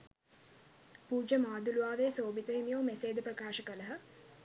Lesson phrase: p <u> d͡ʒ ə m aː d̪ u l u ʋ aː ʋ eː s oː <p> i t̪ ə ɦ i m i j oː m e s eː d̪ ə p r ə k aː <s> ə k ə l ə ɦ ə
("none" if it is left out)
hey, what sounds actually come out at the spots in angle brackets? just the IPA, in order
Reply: uː, b, ʃ

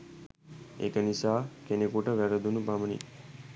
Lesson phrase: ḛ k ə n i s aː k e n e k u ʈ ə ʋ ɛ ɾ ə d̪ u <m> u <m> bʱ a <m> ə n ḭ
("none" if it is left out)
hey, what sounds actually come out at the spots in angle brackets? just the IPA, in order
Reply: n, none, m

